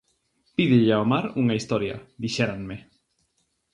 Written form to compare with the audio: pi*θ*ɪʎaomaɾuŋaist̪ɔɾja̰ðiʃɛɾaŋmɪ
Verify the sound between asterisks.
incorrect: ð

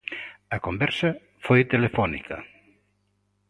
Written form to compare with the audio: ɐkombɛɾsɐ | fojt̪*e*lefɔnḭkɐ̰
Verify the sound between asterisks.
correct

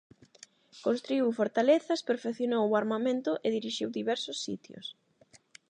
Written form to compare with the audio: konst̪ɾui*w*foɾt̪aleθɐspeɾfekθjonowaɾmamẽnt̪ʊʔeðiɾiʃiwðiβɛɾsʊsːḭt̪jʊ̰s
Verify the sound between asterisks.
correct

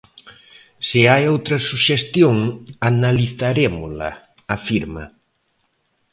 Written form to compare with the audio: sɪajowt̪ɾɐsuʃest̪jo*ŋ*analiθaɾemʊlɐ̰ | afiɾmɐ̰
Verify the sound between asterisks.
correct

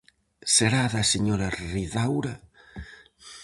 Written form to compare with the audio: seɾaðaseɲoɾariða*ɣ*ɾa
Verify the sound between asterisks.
incorrect: w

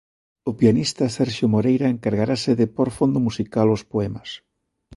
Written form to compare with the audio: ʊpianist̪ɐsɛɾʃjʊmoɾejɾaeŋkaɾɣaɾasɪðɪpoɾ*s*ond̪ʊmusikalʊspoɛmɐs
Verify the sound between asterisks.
incorrect: f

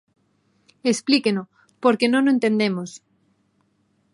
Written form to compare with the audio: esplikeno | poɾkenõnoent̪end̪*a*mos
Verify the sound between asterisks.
incorrect: e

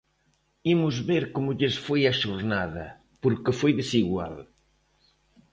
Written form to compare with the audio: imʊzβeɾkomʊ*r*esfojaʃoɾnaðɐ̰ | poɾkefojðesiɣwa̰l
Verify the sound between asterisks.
incorrect: ʎ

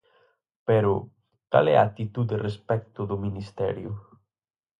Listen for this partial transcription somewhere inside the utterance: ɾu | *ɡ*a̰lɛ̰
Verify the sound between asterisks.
incorrect: k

